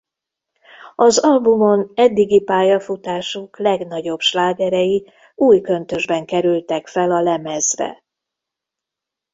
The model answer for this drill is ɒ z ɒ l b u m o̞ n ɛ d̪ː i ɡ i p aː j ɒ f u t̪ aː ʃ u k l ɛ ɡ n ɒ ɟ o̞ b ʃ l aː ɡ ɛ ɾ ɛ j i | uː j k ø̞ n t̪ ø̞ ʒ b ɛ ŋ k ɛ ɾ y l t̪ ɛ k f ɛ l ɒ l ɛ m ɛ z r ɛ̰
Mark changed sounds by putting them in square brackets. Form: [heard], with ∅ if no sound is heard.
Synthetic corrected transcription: ɒ z ɒ l b u m o̞ n ɛ d̪ː i ɡ i p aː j ɒ f u t̪ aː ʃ u k l ɛ ɡ n ɒ ɟ o̞ b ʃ l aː ɡ ɛ ɾ ɛ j i | uː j k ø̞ n t̪ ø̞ ʒ b ɛ ŋ k ɛ ɾ y l t̪ ɛ k f ɛ l ɒ l ɛ m ɛ z r ɛ̰